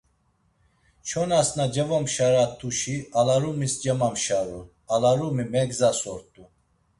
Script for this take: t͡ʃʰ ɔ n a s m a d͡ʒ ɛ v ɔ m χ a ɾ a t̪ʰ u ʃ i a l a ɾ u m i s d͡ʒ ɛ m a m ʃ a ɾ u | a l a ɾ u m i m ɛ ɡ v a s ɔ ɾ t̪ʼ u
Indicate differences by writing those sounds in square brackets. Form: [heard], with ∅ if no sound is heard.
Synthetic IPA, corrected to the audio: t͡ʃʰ ɔ n a s [n] a d͡ʒ ɛ v ɔ m [ʃ] a ɾ a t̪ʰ u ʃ i a l a ɾ u m i s d͡ʒ ɛ m a m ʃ a ɾ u | a l a ɾ u m i m ɛ ɡ [z] a s ɔ ɾ t̪ʼ u

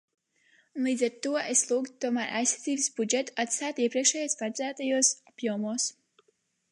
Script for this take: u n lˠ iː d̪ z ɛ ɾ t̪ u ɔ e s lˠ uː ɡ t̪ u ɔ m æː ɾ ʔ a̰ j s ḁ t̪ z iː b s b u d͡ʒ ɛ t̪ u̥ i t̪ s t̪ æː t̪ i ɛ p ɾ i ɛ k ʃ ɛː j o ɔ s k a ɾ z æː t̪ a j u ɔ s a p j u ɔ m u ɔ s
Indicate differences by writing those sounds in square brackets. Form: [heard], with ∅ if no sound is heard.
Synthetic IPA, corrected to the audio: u n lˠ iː d̪ z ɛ ɾ t̪ u ɔ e s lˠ uː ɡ t̪ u ɔ m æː ɾ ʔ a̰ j s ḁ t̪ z iː b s b u d͡ʒ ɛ t̪ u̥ [a] t̪ s t̪ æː t̪ i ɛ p ɾ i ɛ k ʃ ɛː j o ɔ s [p] a ɾ z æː t̪ a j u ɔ s a p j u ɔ m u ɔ s

